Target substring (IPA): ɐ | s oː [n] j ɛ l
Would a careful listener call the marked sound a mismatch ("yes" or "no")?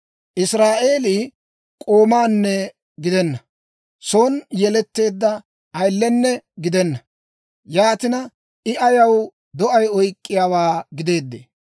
no